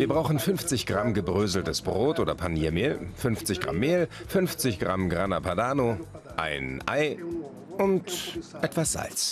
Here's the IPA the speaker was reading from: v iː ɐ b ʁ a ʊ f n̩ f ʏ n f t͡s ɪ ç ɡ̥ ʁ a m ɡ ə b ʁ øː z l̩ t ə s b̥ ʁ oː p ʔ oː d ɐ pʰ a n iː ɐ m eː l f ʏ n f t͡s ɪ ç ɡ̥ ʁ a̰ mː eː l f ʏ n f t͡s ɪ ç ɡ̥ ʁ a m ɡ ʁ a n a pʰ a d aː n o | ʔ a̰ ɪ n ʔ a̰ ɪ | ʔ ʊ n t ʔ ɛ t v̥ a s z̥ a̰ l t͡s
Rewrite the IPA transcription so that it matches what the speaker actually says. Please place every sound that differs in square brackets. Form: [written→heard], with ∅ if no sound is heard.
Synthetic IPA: v iː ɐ b ʁ a ʊ [f→x] n̩ f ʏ n f t͡s ɪ ç ɡ̥ ʁ a m ɡ ə b ʁ øː z l̩ t ə s b̥ ʁ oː [p→t] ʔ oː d ɐ pʰ a n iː ɐ m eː l f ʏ n f t͡s ɪ ç ɡ̥ ʁ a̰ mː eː l f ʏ n f t͡s ɪ ç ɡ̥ ʁ a m ɡ ʁ a n a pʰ a d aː n o | ʔ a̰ ɪ n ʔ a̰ ɪ | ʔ ʊ n t ʔ ɛ t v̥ a s z̥ a̰ l t͡s